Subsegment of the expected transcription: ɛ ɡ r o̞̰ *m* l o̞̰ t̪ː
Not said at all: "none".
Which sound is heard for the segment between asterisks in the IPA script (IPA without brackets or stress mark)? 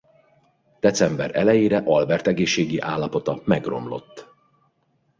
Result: m